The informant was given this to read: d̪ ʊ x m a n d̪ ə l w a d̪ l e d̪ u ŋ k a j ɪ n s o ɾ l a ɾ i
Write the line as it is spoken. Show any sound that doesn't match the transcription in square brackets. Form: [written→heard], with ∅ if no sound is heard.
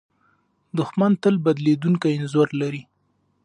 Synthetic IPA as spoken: d̪ ʊ x m a n [d̪→t̪] ə l [w→b] a d̪ l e d̪ u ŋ k a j ɪ n [s→z] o ɾ l a ɾ i